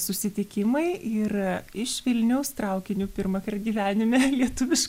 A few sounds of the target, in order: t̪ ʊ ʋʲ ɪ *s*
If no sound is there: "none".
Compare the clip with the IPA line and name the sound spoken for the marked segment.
ʃ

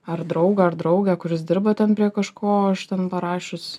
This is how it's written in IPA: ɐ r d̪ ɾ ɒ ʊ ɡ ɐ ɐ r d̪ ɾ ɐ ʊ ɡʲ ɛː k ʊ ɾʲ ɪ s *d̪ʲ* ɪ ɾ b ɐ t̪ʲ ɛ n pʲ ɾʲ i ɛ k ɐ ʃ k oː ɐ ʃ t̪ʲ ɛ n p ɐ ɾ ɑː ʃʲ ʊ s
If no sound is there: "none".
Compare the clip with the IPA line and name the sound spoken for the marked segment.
d̪ʲ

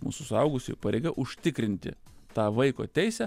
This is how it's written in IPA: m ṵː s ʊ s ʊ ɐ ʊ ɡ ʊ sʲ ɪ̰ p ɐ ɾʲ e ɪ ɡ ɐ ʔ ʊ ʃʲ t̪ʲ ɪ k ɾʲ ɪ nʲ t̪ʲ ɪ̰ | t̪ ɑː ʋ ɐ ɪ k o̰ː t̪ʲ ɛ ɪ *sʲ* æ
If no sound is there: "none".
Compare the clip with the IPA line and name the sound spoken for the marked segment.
sʲ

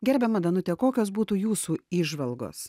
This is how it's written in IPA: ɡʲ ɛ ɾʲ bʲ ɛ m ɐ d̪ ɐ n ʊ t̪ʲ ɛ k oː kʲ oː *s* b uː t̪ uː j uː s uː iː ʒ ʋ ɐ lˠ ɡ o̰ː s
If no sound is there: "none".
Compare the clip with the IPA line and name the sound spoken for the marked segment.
s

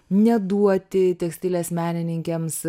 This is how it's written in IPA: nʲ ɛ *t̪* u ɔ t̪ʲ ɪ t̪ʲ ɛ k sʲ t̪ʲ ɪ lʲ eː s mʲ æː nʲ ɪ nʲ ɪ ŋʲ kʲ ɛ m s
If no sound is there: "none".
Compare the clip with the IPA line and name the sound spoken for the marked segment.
d̪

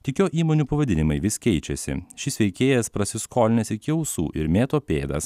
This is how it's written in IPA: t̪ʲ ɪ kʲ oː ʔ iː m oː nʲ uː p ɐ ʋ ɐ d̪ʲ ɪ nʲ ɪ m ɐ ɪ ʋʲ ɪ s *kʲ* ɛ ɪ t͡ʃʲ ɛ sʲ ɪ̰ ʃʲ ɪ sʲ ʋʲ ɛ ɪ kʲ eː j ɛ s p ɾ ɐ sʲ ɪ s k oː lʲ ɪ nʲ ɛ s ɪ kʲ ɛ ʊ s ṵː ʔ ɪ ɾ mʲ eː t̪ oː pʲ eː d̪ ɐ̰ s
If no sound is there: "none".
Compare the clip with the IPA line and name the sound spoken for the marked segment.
kʲ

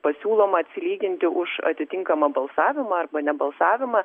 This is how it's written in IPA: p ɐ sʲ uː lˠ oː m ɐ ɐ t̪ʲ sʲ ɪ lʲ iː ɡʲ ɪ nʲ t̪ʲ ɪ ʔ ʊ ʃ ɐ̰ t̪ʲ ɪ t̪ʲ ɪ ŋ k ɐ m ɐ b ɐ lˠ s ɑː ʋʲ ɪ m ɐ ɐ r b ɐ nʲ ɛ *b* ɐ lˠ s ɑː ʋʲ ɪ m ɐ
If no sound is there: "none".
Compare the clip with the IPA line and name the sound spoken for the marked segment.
b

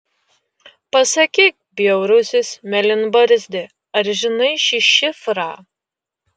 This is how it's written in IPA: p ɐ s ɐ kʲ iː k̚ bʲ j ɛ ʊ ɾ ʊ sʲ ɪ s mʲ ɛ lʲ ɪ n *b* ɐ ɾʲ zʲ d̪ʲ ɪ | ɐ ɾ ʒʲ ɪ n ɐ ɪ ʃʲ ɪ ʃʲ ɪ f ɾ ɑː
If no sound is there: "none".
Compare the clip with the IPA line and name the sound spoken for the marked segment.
b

